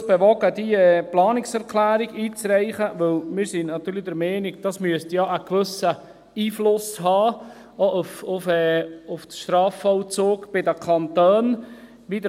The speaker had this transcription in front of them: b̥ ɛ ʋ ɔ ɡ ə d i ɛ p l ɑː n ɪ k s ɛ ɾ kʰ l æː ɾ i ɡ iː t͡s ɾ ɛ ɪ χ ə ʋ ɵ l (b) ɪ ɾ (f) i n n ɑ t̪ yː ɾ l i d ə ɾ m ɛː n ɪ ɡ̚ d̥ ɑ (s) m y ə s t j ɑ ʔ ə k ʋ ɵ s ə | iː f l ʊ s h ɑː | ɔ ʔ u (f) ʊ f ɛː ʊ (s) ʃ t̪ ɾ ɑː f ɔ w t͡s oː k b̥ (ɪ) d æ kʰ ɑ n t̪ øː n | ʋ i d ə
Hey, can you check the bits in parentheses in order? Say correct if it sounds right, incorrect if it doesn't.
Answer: incorrect: m, incorrect: s, correct, correct, incorrect: f, correct

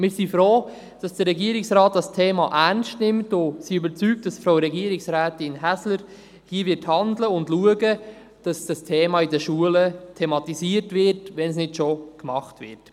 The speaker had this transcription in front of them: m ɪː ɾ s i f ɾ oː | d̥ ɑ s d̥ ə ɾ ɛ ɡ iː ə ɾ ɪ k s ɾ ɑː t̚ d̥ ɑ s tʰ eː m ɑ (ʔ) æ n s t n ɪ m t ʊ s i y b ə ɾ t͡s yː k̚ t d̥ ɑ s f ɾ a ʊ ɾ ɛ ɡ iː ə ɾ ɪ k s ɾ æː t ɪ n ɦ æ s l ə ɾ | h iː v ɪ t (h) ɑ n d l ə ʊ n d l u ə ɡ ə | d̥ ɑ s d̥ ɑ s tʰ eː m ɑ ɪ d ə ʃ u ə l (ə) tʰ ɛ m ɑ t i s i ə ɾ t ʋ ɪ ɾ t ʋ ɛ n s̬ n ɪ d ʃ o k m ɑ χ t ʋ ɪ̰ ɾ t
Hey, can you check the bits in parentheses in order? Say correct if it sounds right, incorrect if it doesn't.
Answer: correct, correct, correct

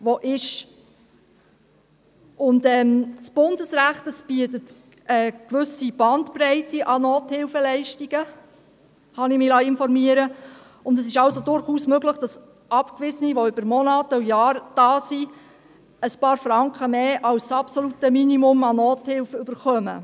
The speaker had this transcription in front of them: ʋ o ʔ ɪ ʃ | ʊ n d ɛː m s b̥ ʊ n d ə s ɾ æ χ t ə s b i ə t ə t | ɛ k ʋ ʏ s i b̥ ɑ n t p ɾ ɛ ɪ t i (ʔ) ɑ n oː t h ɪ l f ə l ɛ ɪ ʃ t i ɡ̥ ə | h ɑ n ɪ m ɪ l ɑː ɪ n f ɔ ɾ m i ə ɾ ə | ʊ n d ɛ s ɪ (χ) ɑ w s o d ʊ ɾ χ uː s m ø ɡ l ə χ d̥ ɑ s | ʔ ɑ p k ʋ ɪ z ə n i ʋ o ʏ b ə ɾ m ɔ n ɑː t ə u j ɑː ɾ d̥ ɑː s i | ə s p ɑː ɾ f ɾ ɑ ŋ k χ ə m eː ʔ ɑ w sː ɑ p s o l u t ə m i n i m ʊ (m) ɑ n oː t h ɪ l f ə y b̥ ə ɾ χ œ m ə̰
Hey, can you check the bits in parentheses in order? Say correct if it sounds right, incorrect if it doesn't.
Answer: correct, incorrect: ʃ, correct

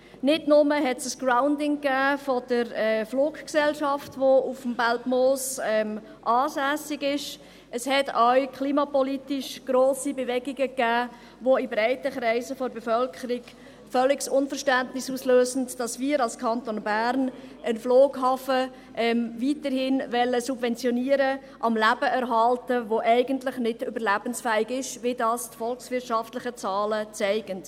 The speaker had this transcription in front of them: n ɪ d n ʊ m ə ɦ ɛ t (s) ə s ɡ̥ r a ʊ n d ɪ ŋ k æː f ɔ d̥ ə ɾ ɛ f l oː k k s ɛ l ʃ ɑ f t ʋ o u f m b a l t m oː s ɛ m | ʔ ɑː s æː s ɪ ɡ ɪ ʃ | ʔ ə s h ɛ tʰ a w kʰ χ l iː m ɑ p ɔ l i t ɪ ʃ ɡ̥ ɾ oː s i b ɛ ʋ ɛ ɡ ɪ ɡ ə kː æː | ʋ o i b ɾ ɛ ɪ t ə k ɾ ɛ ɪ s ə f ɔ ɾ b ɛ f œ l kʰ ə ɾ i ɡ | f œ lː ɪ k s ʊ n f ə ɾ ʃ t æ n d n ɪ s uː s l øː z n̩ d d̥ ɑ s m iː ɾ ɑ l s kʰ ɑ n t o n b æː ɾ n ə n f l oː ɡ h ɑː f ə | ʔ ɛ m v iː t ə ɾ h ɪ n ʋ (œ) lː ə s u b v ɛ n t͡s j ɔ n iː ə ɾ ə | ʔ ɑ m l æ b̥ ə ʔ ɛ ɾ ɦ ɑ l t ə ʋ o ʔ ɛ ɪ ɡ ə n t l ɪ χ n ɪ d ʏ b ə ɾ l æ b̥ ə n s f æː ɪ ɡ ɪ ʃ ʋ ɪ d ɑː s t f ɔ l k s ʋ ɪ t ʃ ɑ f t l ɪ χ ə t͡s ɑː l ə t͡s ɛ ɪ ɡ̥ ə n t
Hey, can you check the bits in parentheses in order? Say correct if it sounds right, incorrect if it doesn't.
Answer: correct, incorrect: ɛ

